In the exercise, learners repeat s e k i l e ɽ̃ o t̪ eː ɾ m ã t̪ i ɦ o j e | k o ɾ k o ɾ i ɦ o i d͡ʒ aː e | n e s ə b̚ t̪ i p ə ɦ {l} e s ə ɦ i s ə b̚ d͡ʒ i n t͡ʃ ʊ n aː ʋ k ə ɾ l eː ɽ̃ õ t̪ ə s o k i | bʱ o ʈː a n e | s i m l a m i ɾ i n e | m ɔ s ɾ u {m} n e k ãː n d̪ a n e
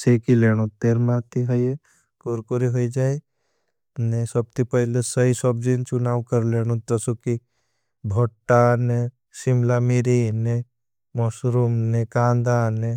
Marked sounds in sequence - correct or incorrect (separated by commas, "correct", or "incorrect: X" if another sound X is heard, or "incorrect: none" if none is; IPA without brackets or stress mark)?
correct, correct